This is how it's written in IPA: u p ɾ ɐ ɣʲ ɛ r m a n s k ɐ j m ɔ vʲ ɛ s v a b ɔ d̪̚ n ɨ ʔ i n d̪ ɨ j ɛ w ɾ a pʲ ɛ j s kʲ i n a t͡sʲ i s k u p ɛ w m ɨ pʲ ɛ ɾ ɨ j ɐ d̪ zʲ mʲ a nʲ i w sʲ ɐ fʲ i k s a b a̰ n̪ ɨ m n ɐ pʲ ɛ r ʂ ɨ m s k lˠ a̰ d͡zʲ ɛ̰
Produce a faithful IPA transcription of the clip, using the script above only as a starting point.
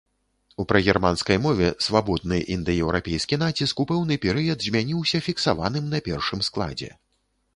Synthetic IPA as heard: u p ɾ ɐ ɣʲ ɛ r m a n s k ɐ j m ɔ vʲ ɛ s v a b ɔ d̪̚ n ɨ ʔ i n d̪ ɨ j ɛ w ɾ a pʲ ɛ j s kʲ i n a t͡sʲ i s k u p ɛ w n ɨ pʲ ɛ ɾ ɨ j ɐ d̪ zʲ mʲ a nʲ i w sʲ ɐ fʲ i k s a v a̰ n̪ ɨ m n ɐ pʲ ɛ r ʂ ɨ m s k lˠ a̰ d͡zʲ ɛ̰